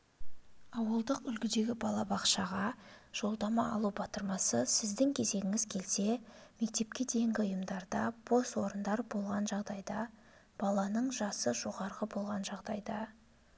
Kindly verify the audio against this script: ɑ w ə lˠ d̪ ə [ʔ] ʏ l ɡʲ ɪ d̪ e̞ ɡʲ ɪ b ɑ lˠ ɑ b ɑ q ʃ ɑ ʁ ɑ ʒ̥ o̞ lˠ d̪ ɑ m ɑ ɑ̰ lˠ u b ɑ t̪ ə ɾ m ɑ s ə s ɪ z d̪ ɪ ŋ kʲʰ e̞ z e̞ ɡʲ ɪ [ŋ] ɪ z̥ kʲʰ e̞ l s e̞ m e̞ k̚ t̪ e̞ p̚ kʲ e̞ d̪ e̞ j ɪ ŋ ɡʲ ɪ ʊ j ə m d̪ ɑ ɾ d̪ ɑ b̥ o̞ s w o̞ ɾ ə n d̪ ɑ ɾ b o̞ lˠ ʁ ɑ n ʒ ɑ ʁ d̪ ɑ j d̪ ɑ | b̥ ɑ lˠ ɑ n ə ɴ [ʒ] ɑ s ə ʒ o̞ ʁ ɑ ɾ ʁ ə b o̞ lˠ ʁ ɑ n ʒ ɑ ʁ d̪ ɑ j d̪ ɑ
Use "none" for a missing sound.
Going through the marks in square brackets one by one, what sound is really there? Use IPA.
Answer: q, ŋ, ʒ

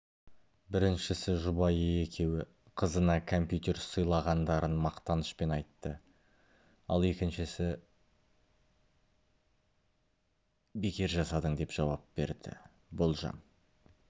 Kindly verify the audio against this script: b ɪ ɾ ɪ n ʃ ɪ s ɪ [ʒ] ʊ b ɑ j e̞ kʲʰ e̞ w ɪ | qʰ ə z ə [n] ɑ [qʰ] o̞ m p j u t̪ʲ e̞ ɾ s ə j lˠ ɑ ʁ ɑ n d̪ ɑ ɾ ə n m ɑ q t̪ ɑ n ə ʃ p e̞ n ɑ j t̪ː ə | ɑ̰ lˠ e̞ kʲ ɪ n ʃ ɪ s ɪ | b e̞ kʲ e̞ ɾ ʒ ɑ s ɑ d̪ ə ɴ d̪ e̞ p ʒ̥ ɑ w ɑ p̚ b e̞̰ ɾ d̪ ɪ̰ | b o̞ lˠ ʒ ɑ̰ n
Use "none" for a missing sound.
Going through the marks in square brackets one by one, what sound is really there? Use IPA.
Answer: ʒ, n, kʰ

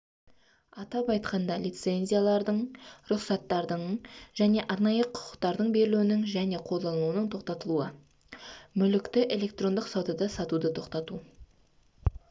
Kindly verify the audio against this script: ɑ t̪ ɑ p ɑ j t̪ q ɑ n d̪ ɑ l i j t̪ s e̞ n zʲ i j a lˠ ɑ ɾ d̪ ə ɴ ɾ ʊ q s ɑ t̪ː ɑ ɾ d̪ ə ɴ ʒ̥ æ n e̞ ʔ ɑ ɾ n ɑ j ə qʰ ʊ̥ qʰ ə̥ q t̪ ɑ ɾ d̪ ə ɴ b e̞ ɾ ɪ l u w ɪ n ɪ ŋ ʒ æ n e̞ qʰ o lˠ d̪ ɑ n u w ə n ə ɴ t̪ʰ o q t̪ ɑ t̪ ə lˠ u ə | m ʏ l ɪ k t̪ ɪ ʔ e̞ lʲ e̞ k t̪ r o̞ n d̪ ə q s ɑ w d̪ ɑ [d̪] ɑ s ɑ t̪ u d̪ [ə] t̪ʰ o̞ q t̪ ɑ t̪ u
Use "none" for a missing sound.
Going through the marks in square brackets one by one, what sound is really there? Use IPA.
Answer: d̪, ə

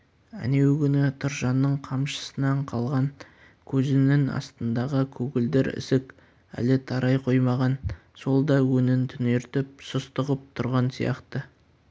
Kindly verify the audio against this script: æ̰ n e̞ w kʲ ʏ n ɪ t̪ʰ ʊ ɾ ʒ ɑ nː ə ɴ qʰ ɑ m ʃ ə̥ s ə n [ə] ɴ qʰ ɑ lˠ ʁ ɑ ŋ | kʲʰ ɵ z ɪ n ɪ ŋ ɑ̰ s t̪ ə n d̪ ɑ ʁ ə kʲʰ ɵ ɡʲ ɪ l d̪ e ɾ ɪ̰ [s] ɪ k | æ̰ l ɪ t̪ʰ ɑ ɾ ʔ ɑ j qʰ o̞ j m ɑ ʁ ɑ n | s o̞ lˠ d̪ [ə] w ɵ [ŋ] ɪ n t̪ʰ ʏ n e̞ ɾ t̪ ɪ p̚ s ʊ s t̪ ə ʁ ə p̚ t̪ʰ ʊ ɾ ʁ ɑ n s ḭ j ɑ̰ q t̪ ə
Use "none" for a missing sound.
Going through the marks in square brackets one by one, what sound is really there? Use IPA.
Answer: ɑ, s, ɑ, n

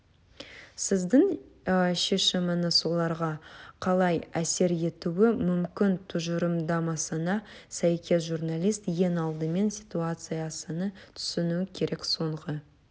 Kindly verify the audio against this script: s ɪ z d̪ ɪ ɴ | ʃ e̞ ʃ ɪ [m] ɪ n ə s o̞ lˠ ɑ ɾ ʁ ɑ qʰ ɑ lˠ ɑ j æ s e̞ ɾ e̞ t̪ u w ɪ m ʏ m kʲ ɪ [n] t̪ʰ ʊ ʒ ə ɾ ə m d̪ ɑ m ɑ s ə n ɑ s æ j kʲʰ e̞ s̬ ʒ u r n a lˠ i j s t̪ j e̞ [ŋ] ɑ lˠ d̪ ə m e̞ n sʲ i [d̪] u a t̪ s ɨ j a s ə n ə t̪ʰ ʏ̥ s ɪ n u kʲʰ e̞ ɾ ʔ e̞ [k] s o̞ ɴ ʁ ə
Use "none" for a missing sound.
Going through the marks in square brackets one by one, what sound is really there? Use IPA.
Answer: m, n, n, t̪, k

